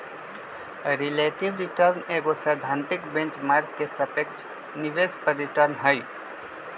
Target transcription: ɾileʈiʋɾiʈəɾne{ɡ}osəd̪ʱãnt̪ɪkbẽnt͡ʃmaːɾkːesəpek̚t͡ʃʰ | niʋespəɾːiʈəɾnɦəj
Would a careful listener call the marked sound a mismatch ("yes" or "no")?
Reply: no